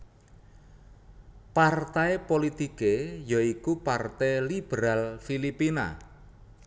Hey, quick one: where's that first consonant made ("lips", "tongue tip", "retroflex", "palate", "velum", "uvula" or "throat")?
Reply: lips